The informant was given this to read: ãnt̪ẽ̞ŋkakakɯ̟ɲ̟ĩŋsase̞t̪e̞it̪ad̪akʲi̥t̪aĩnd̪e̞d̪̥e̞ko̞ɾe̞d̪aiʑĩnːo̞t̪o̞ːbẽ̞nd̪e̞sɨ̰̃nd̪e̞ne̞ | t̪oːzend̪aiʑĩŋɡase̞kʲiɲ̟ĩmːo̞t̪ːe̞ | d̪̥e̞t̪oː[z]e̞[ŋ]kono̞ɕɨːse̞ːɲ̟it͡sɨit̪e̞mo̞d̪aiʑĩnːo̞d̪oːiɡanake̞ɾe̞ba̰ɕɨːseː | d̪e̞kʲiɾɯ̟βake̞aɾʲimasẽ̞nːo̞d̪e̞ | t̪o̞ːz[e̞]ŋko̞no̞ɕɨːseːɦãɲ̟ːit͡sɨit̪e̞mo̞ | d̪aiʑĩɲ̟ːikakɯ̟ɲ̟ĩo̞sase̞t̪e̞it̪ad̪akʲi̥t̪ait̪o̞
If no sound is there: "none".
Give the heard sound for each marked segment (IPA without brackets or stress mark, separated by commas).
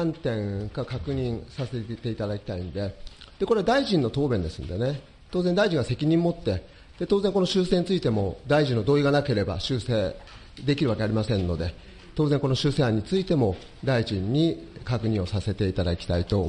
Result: z, ŋ, ẽ̞